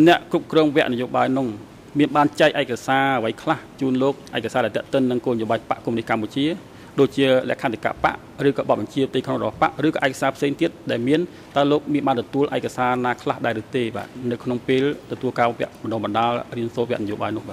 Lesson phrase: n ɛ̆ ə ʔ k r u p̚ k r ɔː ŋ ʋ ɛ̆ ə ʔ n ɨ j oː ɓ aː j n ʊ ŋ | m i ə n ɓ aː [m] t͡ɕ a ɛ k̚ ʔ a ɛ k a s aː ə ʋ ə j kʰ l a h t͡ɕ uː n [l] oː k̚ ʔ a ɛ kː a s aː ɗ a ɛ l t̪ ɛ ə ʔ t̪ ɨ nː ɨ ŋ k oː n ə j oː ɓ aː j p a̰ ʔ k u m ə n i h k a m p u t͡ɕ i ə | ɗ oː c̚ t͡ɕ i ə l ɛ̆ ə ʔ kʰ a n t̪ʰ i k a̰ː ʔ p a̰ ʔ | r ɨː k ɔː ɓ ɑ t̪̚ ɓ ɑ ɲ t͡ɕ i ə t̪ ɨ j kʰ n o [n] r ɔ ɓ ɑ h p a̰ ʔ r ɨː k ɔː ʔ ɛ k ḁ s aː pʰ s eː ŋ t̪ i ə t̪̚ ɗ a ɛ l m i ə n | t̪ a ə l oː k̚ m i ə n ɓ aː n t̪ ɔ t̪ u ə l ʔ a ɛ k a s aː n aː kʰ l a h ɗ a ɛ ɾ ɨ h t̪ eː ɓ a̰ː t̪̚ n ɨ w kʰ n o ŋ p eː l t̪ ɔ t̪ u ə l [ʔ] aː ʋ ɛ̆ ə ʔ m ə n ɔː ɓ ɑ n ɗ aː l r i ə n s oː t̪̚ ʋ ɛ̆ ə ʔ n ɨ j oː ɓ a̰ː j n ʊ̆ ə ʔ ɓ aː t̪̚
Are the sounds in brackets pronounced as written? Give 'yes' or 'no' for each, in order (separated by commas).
no, yes, no, no